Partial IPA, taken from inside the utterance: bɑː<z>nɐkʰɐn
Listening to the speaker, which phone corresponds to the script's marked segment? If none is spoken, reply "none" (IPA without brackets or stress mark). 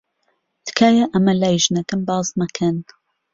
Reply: z